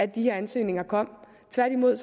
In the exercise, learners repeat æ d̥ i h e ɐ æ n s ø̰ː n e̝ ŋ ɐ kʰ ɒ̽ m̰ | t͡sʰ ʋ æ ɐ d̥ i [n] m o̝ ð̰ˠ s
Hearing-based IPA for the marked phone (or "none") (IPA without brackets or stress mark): none